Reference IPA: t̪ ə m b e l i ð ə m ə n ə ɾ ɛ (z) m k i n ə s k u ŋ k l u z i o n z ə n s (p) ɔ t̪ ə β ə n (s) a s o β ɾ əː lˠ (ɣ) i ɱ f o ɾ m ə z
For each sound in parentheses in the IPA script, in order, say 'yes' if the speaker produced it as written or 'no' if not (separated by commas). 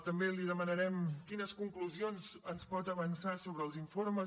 no, yes, yes, no